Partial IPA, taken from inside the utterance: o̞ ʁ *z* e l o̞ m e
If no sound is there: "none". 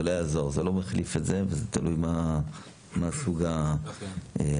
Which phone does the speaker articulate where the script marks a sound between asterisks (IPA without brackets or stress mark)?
z